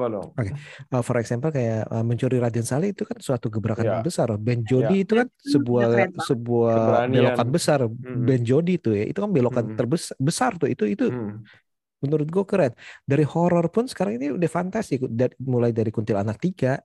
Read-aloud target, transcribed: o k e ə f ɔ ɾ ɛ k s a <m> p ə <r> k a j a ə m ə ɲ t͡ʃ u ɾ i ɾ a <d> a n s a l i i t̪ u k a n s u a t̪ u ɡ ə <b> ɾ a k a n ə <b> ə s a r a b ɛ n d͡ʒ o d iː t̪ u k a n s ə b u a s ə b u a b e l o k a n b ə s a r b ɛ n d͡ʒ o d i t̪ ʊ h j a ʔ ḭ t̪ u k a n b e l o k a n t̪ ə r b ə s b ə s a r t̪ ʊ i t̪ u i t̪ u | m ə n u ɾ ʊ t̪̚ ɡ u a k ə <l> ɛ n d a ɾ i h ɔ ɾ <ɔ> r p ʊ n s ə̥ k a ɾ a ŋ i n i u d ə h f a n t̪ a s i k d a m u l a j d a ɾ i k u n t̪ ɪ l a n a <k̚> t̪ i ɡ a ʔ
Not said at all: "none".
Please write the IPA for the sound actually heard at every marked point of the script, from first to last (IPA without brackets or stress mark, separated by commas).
m, l, d, b, b, ɾ, ɔ, k̚